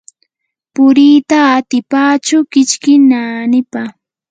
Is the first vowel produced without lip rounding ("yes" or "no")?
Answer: no